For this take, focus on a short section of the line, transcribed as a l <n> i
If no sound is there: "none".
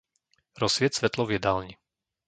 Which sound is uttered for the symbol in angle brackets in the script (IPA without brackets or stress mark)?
ɲ